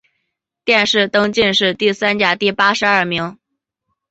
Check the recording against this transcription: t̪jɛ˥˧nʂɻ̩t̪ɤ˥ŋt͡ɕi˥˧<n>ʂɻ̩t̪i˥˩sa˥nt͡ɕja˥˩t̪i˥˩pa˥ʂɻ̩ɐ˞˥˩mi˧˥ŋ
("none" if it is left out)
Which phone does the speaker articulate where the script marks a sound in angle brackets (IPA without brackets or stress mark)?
n